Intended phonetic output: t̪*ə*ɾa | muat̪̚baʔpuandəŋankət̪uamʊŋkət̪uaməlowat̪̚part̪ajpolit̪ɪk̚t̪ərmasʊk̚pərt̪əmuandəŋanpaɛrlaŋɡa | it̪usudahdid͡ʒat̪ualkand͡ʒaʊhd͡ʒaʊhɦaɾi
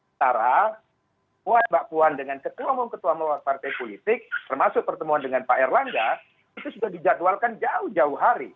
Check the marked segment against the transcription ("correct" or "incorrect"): incorrect